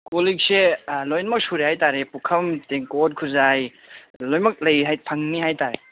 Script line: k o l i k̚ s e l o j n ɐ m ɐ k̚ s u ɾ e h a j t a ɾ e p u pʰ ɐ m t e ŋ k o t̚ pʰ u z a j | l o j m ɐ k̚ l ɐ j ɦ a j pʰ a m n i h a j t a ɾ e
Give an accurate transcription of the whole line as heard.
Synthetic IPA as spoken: k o l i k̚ s e l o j n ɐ m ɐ k̚ s u ɾ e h a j t a ɾ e p u kʰ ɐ m t e ŋ k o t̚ kʰ u z a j | l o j m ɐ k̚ l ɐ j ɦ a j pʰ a ŋ n i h a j t a ɾ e